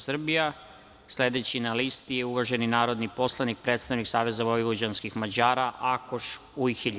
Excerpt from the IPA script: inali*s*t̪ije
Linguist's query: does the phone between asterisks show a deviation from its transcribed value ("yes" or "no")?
no